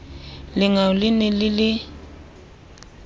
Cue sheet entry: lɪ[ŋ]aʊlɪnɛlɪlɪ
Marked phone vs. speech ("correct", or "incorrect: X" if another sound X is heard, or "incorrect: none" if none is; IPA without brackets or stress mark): correct